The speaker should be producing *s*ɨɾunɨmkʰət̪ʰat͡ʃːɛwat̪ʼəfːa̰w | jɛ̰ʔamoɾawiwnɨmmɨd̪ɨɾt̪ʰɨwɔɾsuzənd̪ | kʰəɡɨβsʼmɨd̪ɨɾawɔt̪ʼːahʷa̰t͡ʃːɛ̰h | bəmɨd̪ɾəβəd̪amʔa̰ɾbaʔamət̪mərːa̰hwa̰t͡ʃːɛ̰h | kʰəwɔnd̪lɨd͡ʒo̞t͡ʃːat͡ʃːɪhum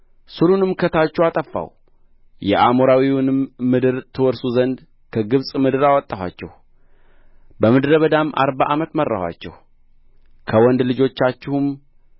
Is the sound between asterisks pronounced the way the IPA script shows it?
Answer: yes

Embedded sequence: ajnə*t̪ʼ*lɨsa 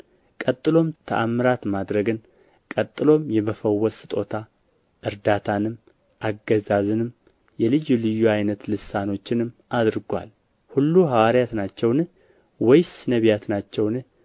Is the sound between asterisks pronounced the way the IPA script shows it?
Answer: no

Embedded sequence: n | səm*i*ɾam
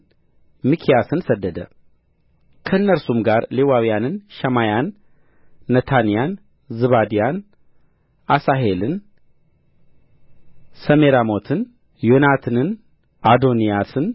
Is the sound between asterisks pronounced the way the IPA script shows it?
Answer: no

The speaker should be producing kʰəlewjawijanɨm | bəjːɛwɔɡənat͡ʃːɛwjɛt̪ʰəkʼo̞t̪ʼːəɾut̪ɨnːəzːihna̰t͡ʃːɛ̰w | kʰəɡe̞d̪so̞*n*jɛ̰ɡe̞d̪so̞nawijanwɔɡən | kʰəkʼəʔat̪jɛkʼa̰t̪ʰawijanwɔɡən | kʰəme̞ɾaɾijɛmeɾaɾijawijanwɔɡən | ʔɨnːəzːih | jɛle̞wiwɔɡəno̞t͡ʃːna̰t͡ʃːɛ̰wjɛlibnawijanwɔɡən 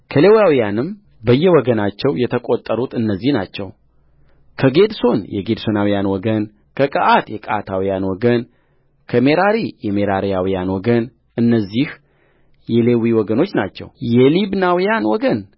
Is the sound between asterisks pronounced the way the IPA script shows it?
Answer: yes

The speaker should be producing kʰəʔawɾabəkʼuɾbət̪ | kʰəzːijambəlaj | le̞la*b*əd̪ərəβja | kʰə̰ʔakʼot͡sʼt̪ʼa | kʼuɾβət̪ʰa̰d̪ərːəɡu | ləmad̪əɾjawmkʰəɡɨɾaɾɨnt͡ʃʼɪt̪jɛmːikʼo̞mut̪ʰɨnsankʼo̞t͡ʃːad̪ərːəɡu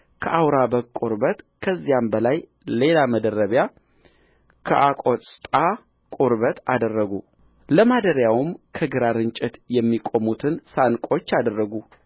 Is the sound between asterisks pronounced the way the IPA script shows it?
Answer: no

